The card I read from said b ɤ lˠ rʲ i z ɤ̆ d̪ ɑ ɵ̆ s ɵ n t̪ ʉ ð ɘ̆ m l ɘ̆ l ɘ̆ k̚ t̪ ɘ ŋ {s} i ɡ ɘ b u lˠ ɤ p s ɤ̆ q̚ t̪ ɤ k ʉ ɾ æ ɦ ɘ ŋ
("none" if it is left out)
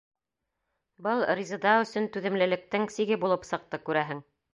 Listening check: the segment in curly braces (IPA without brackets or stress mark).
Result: s